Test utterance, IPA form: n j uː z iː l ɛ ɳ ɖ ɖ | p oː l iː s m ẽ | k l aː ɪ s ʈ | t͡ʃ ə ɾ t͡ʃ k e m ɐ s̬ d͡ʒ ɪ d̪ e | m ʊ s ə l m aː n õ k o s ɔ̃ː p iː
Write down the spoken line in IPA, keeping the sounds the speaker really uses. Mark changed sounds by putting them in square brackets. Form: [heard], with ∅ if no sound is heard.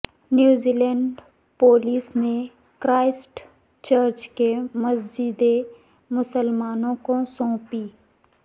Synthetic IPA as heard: n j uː z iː l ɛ ɳ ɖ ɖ | p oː l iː s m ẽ | k [ɾ] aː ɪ s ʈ | t͡ʃ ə ɾ t͡ʃ k e m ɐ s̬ d͡ʒ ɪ d̪ e | m ʊ s ə l m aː n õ k o s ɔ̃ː p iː